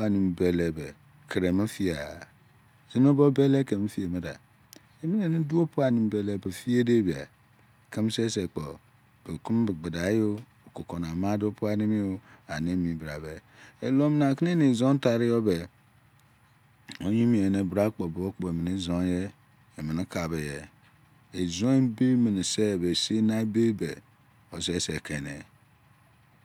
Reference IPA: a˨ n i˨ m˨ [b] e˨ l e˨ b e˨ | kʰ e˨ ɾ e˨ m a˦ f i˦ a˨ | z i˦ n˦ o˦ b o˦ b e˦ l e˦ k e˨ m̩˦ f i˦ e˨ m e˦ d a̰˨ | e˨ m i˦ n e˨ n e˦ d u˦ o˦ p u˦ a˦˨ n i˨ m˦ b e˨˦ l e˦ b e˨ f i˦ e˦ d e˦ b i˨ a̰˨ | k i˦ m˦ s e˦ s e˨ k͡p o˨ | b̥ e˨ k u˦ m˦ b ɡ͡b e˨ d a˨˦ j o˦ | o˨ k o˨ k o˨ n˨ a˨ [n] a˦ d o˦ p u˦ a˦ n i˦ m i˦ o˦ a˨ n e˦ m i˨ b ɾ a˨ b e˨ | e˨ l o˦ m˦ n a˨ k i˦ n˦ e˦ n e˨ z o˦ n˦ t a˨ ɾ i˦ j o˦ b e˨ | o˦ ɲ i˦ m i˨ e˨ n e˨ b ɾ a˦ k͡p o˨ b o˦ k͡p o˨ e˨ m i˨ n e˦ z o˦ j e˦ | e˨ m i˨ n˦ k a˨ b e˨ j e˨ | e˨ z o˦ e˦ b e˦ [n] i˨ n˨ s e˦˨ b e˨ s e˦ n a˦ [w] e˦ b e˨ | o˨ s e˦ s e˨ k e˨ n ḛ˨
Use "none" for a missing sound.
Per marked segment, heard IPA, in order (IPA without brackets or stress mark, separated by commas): b, m, m, b